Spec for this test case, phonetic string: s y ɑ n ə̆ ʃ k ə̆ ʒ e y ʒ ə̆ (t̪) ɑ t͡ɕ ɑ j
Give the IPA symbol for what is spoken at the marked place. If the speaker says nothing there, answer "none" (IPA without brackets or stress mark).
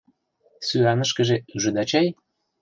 d̪